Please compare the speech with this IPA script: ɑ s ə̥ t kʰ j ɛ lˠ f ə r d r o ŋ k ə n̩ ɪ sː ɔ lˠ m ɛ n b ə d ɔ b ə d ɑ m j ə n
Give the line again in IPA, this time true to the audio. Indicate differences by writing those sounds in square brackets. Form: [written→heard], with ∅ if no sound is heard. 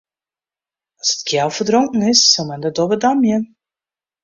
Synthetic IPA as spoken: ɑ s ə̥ t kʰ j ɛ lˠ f ə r d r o ŋ k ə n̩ ɪ sː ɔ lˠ m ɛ n [b→d] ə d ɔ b ə d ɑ m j ə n